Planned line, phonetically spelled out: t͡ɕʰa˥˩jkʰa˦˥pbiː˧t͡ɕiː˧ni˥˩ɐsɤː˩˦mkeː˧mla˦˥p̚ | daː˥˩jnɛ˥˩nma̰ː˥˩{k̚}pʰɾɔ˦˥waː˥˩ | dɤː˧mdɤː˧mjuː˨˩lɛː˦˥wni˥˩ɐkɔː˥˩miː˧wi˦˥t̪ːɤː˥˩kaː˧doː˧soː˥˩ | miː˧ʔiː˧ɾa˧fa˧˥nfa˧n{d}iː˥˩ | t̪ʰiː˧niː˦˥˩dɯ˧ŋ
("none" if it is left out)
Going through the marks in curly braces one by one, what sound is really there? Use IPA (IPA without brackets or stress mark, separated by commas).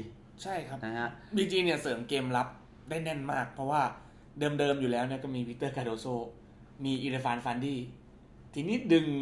k̚, d